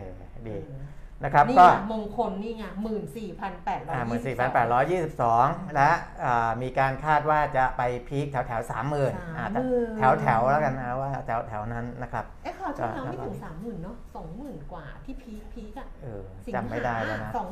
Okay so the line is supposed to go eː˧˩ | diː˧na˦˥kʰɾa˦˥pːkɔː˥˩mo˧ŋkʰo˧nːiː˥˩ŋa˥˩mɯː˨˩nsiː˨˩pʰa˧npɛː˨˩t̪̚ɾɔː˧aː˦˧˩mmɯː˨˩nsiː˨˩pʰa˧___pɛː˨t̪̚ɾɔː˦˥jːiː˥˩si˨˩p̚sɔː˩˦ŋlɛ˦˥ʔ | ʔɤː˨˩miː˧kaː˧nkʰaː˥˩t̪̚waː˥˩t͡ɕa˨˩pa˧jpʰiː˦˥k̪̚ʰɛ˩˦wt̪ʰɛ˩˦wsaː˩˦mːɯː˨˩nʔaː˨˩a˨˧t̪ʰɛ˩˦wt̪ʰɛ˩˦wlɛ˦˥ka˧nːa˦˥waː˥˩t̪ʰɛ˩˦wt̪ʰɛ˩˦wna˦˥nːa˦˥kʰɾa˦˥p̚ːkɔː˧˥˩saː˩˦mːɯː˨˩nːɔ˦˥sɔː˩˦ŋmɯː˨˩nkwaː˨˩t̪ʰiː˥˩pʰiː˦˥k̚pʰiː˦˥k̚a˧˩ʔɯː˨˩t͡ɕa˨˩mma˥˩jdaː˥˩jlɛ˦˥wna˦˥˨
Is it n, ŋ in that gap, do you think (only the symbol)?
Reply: n